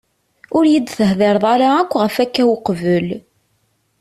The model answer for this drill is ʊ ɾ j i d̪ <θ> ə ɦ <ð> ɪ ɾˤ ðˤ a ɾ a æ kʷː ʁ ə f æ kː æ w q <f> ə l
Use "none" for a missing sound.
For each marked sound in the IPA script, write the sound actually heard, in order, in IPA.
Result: θ, ð, v

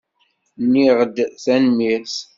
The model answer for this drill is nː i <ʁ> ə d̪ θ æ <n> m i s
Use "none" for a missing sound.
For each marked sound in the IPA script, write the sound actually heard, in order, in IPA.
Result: ʁ, n

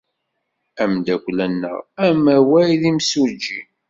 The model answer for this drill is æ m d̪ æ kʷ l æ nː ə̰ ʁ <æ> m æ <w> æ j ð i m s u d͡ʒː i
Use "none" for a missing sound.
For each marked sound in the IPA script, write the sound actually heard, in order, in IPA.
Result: æ, w

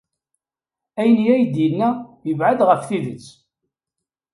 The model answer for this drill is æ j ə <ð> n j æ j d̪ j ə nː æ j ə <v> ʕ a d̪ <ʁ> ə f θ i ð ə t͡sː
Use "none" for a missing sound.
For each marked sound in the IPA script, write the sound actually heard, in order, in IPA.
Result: none, v, ʁ

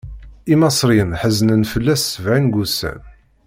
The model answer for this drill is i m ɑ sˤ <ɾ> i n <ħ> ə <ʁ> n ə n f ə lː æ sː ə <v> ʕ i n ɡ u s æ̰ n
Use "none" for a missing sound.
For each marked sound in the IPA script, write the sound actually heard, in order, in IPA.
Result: ɾ, ħ, z, v

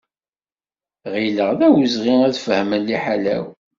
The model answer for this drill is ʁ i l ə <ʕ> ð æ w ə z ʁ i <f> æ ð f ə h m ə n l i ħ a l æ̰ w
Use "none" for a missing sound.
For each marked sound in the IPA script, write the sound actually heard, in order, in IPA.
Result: ʁ, none

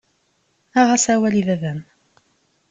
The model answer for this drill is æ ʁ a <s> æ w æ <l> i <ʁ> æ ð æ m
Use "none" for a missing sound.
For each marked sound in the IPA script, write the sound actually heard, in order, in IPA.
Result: s, l, ð

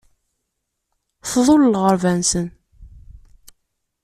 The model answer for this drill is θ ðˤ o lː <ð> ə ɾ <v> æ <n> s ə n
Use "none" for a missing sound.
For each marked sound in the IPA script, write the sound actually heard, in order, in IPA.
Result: ʁ, v, n

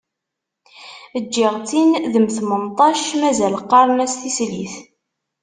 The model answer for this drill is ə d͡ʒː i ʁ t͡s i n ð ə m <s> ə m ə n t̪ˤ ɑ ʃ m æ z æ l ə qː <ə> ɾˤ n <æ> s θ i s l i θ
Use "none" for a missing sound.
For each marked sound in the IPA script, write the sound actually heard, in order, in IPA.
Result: θ, ɑ, æ

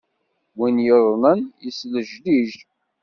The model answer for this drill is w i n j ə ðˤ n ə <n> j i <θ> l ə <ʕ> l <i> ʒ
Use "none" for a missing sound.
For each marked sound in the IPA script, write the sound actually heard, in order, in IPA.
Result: n, s, ʒ, i

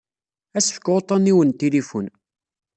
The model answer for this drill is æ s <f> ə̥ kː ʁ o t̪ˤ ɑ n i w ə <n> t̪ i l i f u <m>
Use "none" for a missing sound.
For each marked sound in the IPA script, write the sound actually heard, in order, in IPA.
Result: f, n, n

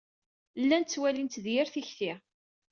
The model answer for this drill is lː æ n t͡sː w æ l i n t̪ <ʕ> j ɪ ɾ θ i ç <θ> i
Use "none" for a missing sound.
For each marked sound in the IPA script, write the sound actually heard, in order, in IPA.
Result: ð, θ

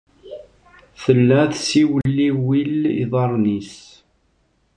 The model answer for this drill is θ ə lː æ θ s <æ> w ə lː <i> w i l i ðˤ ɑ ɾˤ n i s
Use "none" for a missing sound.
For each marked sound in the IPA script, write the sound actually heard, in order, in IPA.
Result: i, i

